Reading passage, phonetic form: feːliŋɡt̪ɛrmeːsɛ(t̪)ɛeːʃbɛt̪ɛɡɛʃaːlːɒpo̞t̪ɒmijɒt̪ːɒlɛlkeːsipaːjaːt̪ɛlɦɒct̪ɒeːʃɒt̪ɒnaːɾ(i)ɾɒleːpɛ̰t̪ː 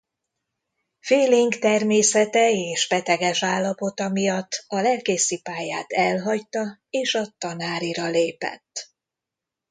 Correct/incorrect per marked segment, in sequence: correct, correct

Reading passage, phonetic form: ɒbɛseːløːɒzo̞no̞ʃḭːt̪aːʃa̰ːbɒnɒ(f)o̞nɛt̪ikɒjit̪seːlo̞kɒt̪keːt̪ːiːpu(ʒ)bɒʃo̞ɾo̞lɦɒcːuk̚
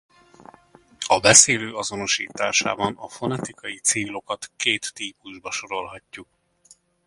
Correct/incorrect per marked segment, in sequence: correct, correct

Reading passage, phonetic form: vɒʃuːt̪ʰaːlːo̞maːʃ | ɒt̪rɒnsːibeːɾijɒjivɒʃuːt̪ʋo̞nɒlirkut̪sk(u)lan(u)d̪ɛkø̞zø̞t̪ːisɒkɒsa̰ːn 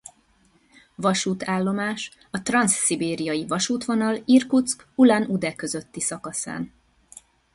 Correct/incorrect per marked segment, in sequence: correct, correct

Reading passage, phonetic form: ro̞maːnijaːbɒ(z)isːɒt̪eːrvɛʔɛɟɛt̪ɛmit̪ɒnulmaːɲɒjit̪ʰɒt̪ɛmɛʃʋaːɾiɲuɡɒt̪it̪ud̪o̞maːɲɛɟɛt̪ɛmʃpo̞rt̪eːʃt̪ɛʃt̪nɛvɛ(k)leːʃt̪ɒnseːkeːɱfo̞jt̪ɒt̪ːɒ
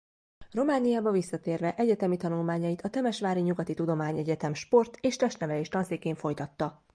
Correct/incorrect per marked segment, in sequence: incorrect, incorrect

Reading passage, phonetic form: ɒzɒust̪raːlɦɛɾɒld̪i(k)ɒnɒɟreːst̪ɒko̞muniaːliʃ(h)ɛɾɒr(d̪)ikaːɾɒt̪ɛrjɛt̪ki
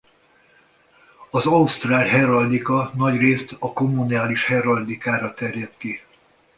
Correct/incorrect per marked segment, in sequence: correct, correct, correct

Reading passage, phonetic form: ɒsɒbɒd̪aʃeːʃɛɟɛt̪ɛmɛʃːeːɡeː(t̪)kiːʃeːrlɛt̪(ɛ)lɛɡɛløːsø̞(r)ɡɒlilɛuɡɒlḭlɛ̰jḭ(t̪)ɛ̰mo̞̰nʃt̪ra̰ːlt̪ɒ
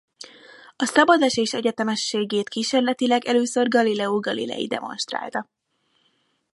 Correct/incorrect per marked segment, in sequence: correct, incorrect, correct, incorrect

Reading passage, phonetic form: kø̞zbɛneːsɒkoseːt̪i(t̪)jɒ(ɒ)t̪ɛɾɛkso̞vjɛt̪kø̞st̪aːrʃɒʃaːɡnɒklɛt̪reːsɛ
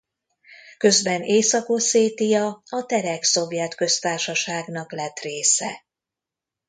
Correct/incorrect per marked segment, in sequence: incorrect, correct

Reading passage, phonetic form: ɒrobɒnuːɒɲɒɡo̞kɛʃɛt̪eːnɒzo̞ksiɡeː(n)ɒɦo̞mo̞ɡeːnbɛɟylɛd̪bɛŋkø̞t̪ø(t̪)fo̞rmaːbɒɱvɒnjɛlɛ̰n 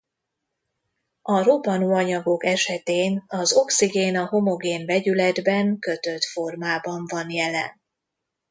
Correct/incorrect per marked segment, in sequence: correct, correct

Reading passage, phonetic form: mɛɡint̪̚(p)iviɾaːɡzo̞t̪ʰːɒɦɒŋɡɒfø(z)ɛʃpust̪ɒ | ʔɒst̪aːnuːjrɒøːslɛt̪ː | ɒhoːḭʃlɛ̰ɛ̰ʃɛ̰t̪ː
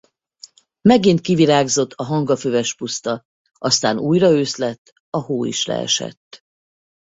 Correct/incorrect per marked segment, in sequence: incorrect, incorrect

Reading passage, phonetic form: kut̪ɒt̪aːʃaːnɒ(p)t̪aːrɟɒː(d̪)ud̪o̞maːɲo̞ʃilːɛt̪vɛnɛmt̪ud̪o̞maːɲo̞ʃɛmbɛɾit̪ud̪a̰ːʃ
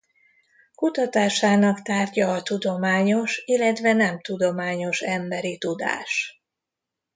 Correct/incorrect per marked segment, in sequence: incorrect, incorrect

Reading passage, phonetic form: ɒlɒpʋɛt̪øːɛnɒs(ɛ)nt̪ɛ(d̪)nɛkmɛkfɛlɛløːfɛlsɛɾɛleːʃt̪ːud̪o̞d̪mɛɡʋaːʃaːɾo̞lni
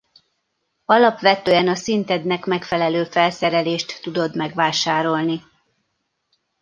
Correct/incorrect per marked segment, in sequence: incorrect, correct

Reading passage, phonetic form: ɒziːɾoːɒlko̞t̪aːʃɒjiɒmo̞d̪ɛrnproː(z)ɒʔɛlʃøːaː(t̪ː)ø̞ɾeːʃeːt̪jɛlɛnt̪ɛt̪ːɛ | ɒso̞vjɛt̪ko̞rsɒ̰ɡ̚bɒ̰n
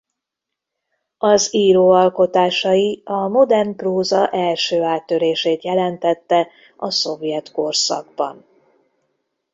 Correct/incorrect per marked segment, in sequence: correct, correct

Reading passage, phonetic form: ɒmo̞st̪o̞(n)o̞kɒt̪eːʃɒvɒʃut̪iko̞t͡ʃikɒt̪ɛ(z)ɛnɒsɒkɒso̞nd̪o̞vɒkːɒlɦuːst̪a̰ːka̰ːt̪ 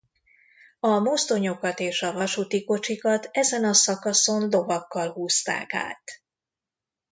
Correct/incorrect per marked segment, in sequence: incorrect, correct

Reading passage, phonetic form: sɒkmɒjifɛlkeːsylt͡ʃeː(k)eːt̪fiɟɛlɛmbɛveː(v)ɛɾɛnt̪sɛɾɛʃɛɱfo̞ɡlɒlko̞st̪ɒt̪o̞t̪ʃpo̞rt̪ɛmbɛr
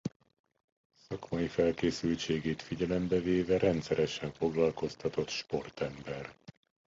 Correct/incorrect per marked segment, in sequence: incorrect, correct

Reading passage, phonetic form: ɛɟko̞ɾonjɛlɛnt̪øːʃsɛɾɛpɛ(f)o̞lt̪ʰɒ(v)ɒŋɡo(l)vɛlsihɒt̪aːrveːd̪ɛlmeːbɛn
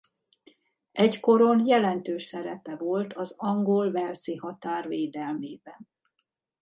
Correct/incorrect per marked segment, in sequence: incorrect, incorrect, correct

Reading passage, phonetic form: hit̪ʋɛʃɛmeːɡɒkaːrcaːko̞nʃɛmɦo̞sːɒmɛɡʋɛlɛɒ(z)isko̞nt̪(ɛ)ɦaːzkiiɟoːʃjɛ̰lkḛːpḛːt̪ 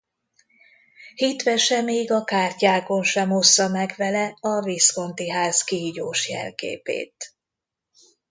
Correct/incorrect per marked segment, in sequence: incorrect, incorrect

